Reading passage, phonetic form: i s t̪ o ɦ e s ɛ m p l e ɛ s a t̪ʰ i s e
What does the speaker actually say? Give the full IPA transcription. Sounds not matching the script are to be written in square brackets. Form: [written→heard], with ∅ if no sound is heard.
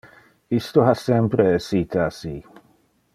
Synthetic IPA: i s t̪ o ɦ [e→a] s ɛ m p [l→ɾ] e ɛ s [a→i] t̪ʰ [i→a] s [e→i]